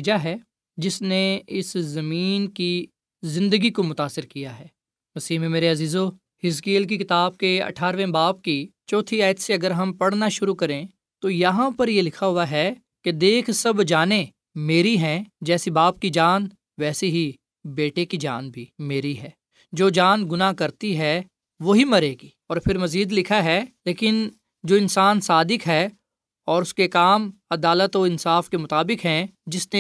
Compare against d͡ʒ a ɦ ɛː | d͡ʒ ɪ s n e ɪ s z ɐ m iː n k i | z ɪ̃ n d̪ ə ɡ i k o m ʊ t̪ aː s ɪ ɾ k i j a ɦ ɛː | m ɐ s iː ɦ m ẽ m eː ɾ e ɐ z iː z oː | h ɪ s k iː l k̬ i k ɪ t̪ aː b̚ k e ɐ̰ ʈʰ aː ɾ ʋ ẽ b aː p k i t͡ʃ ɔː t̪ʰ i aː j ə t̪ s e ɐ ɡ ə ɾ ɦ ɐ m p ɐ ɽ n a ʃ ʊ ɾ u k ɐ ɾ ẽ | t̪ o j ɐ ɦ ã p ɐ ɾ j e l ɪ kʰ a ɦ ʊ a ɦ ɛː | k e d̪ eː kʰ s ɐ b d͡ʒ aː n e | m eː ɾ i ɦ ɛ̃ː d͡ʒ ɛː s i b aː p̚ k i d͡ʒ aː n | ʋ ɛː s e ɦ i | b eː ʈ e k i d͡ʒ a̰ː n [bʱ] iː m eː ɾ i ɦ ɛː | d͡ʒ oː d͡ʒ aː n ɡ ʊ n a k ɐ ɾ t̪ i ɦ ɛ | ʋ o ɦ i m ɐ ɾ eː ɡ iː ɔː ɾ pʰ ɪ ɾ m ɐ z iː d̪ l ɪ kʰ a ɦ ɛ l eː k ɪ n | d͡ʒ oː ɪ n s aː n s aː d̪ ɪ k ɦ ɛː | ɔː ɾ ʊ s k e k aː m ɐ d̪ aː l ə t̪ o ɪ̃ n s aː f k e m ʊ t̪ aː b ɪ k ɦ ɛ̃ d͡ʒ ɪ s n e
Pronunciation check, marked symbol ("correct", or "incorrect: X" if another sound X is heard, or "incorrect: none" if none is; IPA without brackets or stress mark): correct